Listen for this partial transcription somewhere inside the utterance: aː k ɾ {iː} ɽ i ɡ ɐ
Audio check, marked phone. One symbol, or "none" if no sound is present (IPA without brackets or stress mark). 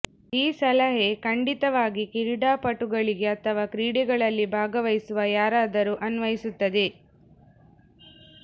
iː